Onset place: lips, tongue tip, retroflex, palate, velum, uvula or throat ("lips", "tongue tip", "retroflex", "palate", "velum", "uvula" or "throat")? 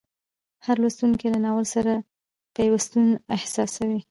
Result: throat